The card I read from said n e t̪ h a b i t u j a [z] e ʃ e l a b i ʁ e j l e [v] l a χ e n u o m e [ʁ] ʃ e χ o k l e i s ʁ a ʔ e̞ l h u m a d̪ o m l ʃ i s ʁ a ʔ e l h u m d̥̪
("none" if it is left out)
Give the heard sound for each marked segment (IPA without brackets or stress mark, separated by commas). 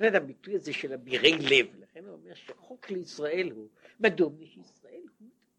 z, v, ʁ